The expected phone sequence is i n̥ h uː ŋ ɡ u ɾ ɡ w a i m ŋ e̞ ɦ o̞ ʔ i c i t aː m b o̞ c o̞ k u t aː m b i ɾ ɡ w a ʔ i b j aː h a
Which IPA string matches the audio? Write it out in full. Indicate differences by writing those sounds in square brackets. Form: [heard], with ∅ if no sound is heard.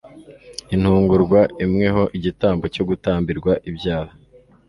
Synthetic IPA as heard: i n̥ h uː ŋ ɡ u ɾ ɡ w a i m ŋ e̞ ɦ o̞ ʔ i [ɟ] i t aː m b o̞ c o̞ [ɡ] u t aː m b i ɾ ɡ w a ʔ i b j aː h a